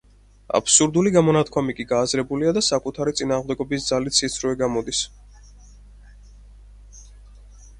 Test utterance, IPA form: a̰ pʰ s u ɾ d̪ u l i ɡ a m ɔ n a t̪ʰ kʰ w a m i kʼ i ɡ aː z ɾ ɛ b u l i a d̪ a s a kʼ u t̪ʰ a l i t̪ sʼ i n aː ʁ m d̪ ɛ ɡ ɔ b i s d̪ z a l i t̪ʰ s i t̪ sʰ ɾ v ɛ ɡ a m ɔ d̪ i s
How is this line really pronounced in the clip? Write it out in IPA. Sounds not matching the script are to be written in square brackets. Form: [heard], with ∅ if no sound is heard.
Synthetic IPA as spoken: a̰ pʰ s u ɾ d̪ u l i ɡ a m ɔ n a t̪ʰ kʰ w a m i kʼ i ɡ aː z ɾ ɛ b u l i a d̪ a s a kʼ u t̪ʰ a [ɾ] i t̪ sʼ i n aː ʁ m d̪ ɛ ɡ ɔ b i s d̪ z a l i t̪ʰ s i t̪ sʰ ɾ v ɛ ɡ a m ɔ d̪ i s